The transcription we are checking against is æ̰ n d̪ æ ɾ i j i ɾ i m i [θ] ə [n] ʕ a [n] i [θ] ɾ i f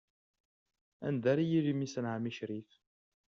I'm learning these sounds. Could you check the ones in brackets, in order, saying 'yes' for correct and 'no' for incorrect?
no, yes, no, no

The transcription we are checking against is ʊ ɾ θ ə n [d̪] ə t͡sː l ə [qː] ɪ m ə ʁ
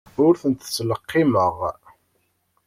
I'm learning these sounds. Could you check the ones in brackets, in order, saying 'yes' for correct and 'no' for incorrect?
no, yes

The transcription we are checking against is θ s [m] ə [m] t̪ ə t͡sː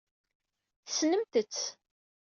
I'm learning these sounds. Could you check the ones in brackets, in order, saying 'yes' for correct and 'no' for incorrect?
no, yes

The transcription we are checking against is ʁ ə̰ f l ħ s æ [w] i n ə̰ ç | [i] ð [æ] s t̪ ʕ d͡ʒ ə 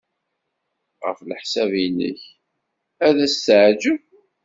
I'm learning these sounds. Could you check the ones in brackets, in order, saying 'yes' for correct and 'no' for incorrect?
no, no, yes

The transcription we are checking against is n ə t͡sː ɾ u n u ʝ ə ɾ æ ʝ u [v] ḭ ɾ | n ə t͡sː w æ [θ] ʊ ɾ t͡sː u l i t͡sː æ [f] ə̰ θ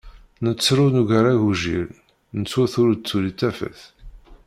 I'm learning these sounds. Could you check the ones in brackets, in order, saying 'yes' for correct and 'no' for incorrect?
no, yes, yes

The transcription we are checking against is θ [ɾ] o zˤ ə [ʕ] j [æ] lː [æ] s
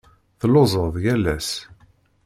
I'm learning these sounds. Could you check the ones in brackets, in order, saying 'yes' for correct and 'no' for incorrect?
no, no, yes, yes

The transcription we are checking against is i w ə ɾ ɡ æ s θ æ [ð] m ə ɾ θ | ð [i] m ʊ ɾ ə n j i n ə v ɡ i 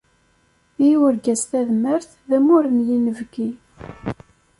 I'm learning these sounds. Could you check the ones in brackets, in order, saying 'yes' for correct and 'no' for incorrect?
yes, no

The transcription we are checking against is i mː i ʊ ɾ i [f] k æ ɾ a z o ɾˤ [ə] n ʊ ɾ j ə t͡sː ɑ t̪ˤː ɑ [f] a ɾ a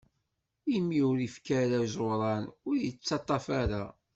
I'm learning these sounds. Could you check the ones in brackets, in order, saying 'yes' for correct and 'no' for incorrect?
yes, no, yes

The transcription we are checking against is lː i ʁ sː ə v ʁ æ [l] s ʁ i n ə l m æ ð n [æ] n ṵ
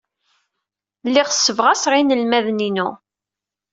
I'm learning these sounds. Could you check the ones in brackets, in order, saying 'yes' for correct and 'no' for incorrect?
no, no

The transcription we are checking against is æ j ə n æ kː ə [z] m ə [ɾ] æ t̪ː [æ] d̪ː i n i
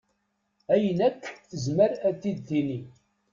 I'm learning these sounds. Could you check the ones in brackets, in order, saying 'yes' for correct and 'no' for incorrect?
yes, yes, no

